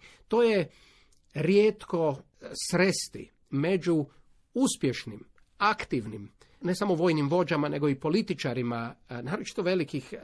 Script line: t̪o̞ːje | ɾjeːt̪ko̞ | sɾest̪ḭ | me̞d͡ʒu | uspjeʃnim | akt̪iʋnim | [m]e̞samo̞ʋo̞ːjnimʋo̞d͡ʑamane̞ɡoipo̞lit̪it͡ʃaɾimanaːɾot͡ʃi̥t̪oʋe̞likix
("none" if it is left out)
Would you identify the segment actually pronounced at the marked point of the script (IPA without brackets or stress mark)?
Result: n